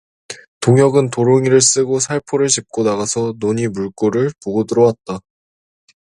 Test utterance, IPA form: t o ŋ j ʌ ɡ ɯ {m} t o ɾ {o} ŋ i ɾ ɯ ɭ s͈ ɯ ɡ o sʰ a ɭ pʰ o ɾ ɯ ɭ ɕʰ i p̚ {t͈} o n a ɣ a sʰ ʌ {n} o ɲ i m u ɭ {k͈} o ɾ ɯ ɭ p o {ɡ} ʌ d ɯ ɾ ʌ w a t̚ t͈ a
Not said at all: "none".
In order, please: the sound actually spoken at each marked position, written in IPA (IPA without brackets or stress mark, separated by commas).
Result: n, o, k͈, n, k͈, ɡ